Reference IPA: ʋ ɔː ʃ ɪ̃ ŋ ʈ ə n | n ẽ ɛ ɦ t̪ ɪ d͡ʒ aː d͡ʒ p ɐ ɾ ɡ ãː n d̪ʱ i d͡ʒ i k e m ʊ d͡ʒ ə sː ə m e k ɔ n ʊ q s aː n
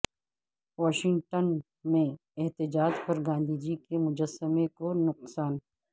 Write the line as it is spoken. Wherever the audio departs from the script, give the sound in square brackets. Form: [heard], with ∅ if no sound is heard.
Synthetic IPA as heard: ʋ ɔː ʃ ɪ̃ ŋ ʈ ə n | [m] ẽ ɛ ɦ t̪ ɪ d͡ʒ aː d͡ʒ p ɐ ɾ ɡ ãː n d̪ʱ i d͡ʒ i k e m ʊ d͡ʒ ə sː ə m e k [o] n ʊ q s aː n

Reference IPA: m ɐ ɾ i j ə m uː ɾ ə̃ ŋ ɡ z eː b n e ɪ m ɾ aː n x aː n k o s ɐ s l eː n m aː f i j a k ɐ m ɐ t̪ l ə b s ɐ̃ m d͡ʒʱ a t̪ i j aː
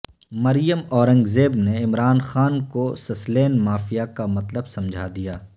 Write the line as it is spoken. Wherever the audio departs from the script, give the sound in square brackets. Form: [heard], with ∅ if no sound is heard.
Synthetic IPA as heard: m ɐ ɾ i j ə m [ɔː] ɾ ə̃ ŋ ɡ z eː b n e ɪ m ɾ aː n x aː n k o s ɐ s l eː n m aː f i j a k [a] m ɐ t̪ l ə b s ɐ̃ m d͡ʒʱ a [d̪] i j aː

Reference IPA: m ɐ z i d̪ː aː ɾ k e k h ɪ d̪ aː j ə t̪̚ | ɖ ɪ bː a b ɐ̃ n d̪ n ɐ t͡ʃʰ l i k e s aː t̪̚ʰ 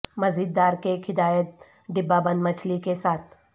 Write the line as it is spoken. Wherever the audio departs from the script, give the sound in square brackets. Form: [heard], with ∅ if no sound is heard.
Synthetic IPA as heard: m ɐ z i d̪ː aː ɾ k e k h ɪ d̪ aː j ə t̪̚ | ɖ ɪ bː a b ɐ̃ n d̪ [m] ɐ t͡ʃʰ l i k e s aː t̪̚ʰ

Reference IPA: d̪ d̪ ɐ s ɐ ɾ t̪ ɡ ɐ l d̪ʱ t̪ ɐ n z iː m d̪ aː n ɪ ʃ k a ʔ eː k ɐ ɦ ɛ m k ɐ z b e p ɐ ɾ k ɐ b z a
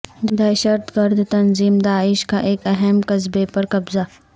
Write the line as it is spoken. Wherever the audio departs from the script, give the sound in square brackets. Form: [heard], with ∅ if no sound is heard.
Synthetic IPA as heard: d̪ d̪ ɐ [ʃ] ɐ ɾ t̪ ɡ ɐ [ɾ] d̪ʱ t̪ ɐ n z iː m d̪ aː [∅] ɪ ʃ k a ʔ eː k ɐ ɦ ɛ m k ɐ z b e p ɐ ɾ k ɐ b z a

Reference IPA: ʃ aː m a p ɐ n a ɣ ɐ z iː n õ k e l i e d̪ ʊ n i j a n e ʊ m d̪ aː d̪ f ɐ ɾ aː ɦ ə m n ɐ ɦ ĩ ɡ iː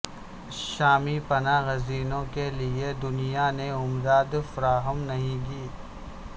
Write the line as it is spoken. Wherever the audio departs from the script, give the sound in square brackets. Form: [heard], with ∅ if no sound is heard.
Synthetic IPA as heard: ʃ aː m [i] p ɐ n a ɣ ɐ z iː n õ k e l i e d̪ ʊ n i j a n e ʊ m d̪ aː d̪ f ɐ ɾ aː ɦ ə m n ɐ ɦ ĩ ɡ iː

